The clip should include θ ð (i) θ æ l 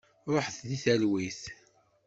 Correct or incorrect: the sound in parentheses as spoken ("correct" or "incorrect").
correct